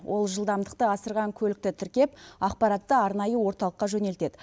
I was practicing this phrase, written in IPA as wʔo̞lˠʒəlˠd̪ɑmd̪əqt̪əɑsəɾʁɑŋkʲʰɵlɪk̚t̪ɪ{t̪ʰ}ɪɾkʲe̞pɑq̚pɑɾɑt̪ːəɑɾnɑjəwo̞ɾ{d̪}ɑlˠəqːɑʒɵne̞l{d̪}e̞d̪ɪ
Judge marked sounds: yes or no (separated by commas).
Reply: yes, no, no